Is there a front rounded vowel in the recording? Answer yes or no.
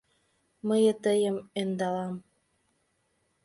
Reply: no